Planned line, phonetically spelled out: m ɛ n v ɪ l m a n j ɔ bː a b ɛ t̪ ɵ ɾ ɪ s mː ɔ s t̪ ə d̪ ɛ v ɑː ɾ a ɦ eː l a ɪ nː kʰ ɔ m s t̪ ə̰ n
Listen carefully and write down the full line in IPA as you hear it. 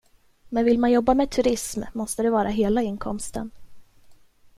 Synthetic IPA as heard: m ɛ n v ɪ l m a n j ɔ bː a m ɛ t̪ʰ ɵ ɾ ɪ s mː ɔ s t̪ ə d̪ ɛ v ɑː ɾ a ɦ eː l a ɪ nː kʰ ɔ m s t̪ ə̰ n